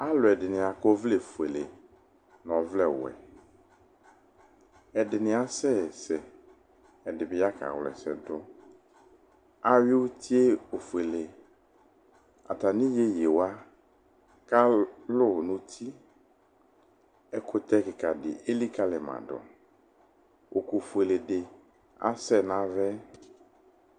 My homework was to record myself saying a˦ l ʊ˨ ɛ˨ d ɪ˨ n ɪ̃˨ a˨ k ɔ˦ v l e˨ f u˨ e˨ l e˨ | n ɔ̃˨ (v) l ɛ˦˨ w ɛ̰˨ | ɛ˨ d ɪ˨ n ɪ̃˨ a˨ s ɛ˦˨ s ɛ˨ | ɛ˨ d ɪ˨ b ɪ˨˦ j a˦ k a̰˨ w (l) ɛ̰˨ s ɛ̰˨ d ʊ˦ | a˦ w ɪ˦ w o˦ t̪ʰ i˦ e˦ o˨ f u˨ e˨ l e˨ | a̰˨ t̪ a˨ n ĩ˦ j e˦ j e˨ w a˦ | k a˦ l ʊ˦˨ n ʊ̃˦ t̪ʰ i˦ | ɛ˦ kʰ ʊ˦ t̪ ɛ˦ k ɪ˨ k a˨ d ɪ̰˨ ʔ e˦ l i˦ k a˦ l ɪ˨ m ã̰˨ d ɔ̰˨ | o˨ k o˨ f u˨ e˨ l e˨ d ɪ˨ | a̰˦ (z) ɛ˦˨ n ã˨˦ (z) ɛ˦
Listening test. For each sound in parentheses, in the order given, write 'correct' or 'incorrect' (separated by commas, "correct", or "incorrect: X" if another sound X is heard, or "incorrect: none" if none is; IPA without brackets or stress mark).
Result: correct, correct, incorrect: s, incorrect: v